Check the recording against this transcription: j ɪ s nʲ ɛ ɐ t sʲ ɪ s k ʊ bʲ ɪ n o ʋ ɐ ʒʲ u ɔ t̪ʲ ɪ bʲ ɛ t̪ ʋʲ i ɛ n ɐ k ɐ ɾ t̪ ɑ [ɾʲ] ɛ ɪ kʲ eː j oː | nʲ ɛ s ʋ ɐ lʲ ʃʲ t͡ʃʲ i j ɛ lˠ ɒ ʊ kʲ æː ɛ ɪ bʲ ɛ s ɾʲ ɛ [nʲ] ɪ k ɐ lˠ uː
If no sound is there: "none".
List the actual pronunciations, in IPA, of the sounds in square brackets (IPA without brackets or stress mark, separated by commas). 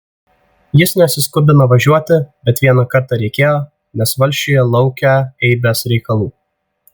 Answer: ɾʲ, none